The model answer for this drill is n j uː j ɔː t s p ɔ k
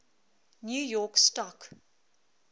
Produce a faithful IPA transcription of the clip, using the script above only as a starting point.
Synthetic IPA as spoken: n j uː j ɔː k s t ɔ k